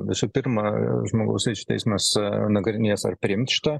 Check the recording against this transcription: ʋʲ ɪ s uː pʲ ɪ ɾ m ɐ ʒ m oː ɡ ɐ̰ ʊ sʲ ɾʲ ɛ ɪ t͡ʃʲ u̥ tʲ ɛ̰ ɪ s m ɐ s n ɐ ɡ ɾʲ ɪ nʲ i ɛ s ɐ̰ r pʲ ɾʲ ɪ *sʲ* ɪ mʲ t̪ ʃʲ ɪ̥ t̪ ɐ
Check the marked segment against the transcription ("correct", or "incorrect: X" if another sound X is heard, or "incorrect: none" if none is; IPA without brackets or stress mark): incorrect: none